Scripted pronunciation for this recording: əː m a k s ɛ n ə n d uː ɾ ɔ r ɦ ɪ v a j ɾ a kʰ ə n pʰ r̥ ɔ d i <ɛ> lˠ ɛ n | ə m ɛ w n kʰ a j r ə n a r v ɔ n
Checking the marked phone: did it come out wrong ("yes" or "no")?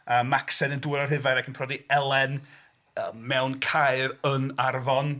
no